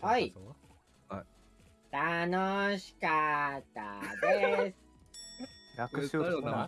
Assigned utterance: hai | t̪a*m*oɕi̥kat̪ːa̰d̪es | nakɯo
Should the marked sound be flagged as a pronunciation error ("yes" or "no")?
yes